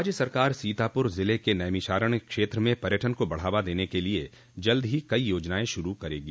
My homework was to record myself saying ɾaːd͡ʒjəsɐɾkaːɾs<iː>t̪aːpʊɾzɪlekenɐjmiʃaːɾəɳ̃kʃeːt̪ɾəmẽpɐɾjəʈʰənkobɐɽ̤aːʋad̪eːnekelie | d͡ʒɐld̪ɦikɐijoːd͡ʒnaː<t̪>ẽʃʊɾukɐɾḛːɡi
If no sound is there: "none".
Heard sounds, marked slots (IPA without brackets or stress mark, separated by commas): iː, none